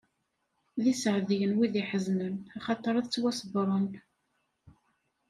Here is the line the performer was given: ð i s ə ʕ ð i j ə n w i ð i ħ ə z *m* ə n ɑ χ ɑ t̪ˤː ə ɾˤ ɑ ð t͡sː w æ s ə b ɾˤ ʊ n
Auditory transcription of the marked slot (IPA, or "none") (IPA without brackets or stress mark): n